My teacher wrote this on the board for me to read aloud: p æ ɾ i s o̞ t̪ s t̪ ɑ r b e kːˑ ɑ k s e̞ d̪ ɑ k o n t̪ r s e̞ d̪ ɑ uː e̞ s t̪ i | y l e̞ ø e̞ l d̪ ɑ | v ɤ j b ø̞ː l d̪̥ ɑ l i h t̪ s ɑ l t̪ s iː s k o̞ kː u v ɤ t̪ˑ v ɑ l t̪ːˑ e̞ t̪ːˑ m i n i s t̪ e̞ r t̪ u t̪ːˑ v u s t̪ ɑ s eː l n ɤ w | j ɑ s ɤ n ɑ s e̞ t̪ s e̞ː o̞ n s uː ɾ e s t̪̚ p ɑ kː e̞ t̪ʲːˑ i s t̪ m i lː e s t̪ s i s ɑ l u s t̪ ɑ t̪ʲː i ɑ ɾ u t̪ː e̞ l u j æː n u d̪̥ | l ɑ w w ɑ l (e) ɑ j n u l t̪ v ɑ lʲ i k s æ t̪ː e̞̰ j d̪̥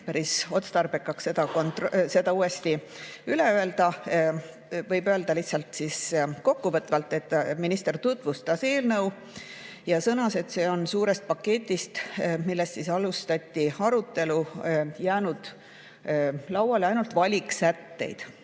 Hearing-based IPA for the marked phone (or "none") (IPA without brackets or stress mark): e